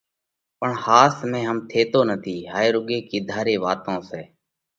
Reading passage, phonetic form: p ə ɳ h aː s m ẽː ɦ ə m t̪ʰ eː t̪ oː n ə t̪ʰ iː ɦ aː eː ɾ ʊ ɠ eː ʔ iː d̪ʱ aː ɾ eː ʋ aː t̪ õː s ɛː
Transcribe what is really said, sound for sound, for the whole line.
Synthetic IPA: p ə ɳ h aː s m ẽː ɦ ə m t̪ʰ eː t̪ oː n ə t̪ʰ iː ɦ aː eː ɾ ʊ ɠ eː k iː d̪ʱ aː ɾ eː ʋ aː t̪ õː s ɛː